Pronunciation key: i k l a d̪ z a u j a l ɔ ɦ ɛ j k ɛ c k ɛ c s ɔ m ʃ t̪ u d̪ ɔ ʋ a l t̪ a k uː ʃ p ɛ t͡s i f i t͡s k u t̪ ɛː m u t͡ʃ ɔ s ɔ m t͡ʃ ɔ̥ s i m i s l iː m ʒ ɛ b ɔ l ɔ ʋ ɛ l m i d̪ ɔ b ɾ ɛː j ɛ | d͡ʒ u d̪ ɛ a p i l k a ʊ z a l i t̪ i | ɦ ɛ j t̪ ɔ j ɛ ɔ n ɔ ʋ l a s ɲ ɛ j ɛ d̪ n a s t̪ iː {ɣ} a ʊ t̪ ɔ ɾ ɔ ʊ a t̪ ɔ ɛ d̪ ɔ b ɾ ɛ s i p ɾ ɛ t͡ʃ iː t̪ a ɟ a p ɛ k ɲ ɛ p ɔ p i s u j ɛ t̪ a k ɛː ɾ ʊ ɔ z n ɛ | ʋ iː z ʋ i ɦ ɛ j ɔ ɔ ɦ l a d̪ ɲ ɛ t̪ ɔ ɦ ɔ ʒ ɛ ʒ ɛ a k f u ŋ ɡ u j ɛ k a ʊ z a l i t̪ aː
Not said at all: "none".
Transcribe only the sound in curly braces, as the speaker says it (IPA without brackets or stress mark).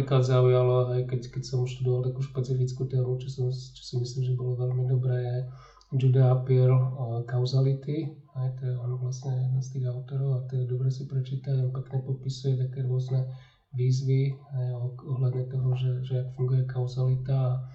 ɣ